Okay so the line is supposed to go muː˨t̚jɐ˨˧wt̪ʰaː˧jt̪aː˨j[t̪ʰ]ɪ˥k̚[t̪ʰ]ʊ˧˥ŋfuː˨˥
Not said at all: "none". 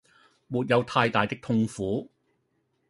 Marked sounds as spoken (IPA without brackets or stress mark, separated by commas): t̪, t̪ʰ